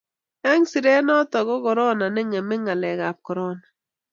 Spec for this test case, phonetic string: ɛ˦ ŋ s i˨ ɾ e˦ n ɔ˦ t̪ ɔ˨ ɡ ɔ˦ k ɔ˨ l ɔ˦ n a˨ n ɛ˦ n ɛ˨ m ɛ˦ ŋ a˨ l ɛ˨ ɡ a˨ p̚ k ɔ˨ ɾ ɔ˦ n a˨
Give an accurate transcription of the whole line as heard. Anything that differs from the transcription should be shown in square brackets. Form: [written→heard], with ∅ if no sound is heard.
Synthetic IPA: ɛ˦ ŋ s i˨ ɾ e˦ n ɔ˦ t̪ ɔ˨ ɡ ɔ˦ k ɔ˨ [l→ɾ] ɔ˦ n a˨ n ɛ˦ [n→ŋ] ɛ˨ m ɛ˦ ŋ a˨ l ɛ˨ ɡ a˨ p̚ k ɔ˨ ɾ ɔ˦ n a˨